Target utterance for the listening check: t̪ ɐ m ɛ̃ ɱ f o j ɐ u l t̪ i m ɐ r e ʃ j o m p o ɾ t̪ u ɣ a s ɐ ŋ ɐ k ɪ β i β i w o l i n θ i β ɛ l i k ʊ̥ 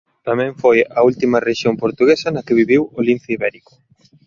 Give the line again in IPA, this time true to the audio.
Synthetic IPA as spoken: t̪ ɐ m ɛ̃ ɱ f o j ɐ u l t̪ i m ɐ r e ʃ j o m p o ɾ t̪ u ɣ e s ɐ n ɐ k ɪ β i β i w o l i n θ i β ɛ ɾ i k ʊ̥